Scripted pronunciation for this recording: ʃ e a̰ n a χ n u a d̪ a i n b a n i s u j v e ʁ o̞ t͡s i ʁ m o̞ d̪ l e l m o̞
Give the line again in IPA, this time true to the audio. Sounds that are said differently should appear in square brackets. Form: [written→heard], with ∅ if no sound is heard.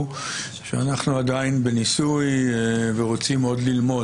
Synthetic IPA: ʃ e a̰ n a χ n u a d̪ a i n b [a→e] n i s u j v e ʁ o̞ t͡s i [ʁ→∅] m o̞ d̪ l [e→i] l m o̞